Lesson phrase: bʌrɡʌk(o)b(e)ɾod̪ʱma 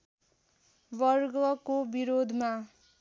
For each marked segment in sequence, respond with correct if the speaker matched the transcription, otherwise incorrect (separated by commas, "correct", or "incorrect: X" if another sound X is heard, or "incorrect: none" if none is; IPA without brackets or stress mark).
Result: correct, incorrect: i